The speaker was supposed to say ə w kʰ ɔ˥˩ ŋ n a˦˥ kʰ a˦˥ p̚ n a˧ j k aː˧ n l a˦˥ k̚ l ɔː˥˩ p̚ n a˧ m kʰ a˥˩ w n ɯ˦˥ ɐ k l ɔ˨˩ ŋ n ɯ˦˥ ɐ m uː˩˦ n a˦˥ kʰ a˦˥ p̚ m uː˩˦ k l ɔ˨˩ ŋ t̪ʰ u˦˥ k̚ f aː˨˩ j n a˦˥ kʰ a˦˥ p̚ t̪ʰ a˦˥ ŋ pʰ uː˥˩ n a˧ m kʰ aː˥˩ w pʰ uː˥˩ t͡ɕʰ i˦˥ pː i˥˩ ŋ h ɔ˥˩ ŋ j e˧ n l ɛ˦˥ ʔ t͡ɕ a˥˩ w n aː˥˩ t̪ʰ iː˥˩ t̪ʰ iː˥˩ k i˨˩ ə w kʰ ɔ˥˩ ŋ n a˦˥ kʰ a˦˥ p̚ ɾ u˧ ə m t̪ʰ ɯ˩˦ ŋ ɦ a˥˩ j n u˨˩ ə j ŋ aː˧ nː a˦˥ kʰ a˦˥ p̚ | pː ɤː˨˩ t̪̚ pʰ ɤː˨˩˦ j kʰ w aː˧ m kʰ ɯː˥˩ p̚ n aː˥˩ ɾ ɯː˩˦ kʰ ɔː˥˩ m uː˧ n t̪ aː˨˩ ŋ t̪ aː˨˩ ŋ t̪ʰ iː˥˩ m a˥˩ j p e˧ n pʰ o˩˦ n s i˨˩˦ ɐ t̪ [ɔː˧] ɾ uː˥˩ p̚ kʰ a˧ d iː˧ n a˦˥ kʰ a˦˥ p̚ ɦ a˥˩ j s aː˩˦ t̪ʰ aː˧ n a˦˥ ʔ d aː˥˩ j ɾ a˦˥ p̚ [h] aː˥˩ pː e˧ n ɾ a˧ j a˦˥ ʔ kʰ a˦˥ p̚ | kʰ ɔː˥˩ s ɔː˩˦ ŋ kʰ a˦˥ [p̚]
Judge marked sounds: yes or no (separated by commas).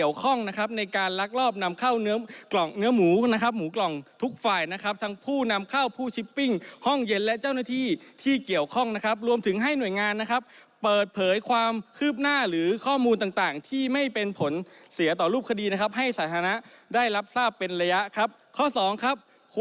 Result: no, no, yes